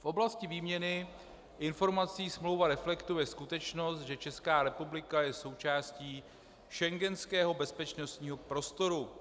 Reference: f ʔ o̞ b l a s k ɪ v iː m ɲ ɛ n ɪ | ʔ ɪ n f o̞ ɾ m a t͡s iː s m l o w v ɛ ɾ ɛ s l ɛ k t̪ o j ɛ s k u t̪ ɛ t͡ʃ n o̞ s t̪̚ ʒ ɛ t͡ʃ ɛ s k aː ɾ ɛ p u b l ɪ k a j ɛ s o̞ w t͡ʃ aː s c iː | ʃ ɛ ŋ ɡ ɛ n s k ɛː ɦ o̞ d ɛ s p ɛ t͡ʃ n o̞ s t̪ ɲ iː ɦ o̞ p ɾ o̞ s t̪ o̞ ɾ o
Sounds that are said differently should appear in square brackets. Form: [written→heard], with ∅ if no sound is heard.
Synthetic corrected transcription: f ʔ o̞ b l a s [k→c] ɪ v iː m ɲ ɛ n ɪ | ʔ ɪ n f o̞ ɾ m a t͡s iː s m l o w v [ɛ→a] ɾ ɛ [s→f] l ɛ k t̪ [o→u] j ɛ s k u t̪ ɛ t͡ʃ n o̞ s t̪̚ ʒ ɛ t͡ʃ ɛ s k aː ɾ ɛ p u b l ɪ k a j ɛ s o̞ w t͡ʃ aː s c iː | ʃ ɛ ŋ ɡ ɛ n s k ɛː ɦ o̞ [d→b] ɛ s p ɛ t͡ʃ n o̞ s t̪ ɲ iː ɦ o̞ p ɾ o̞ s t̪ o̞ ɾ [o→u]